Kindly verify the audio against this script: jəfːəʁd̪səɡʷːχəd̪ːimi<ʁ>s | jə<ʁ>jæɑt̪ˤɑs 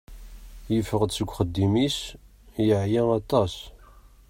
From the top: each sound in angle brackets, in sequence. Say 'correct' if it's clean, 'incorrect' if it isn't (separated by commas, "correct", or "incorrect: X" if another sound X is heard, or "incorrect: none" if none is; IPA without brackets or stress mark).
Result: incorrect: none, incorrect: ʕ